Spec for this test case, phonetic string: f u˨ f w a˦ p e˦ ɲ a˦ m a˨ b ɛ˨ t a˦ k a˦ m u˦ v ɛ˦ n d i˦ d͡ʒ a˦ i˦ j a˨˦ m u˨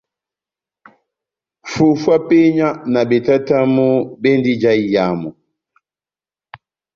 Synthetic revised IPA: f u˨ f w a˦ p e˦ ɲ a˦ n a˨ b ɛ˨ t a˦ t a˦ m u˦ b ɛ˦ n d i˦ d͡ʒ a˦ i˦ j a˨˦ m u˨

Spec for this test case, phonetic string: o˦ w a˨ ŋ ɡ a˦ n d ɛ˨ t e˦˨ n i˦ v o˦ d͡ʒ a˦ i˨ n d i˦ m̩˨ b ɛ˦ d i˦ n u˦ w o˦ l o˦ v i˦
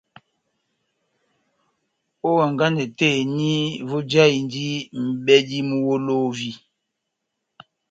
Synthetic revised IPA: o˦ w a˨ ŋ ɡ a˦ n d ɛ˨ t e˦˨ n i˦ v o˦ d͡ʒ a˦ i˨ n d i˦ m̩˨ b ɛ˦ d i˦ m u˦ w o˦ l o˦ v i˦

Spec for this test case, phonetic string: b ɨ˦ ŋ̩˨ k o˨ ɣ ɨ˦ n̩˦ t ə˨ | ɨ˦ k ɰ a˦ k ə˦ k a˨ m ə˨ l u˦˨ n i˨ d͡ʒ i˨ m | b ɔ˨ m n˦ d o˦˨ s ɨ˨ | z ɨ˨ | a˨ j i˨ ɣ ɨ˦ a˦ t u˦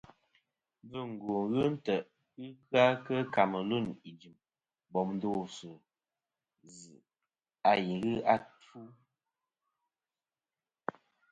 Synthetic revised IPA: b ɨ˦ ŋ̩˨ ɡ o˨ ɣ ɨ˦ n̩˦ t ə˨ | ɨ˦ k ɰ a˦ k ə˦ k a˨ m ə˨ l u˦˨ n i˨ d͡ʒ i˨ m | b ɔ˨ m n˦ d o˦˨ s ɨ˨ | z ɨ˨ | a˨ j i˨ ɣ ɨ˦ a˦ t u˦

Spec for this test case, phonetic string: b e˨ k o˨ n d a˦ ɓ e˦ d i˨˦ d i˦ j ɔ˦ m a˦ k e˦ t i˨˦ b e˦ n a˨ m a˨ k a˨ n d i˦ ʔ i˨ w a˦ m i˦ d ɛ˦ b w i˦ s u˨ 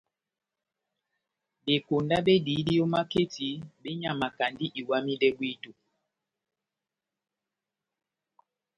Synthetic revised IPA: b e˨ k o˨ n d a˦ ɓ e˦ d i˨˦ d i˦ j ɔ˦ m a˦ k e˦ t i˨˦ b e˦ ɲ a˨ m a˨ k a˨ n d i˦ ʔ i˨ w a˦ m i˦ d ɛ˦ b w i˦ t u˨

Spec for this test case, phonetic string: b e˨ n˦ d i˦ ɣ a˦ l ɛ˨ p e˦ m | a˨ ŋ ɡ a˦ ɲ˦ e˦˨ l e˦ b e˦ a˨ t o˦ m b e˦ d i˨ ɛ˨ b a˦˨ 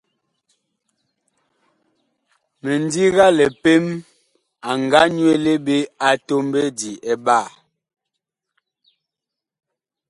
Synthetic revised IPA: m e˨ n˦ d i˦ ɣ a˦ l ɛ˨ p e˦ m | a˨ ŋ ɡ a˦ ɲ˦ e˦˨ l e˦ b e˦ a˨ t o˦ m b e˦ d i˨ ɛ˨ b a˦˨

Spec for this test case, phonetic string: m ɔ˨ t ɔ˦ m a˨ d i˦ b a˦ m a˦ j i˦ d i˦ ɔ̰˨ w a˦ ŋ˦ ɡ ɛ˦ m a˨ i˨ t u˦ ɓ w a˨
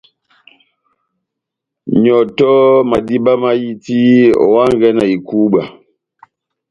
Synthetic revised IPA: ɲ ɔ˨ t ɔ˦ m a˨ d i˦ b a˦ m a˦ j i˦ t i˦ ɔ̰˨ w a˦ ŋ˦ ɡ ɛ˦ n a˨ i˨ k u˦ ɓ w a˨

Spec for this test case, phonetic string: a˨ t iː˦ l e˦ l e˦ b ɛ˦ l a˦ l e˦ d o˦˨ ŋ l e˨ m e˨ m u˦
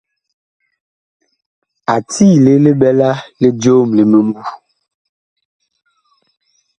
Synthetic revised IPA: a˨ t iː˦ l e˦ l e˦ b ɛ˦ l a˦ l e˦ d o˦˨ m l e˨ m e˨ m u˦

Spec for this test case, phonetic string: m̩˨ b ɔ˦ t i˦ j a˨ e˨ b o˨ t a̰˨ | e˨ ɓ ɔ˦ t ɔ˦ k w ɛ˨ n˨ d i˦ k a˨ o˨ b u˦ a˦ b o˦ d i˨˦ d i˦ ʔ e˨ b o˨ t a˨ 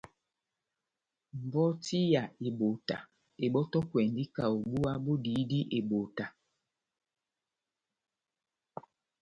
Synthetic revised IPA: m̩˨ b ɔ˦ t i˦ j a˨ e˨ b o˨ t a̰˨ | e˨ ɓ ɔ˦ t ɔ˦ k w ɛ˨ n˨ d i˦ k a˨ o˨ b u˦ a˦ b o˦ d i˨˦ d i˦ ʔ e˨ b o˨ t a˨

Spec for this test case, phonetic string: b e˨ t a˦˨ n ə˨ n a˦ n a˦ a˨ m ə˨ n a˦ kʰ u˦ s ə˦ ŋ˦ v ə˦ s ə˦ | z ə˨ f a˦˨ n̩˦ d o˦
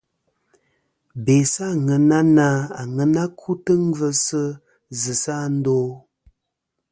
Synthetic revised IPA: b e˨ s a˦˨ ŋ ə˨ n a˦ n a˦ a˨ ŋ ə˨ n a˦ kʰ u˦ t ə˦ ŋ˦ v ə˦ s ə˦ | z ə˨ s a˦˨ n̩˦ d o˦

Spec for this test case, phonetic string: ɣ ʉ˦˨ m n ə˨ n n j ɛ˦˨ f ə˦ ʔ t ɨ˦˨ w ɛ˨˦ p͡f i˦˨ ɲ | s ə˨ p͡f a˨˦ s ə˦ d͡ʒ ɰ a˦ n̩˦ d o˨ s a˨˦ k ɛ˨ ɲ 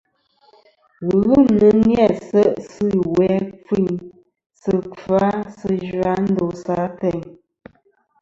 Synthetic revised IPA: ɣ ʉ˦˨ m n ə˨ n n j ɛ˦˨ s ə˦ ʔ s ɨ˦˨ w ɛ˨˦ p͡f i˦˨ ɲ | s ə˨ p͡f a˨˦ s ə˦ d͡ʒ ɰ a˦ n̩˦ d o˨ s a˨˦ t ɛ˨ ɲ

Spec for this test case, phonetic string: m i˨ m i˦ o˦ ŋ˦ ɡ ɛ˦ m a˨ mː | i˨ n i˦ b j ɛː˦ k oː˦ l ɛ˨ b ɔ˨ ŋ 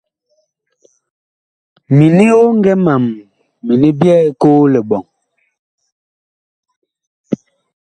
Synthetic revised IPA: m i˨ n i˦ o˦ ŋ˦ ɡ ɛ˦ m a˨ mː | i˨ n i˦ b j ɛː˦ k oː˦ l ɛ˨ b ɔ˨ ŋ

